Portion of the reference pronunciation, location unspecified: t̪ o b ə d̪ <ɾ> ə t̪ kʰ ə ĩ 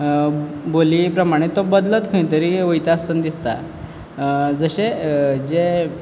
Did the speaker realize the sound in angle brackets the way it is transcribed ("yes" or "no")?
no